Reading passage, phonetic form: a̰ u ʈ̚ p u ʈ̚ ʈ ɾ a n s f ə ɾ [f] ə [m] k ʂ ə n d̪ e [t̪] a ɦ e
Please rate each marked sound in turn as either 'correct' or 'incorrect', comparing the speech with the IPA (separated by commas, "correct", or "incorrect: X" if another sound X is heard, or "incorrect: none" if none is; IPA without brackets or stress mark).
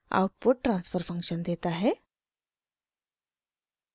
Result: correct, incorrect: ŋ, correct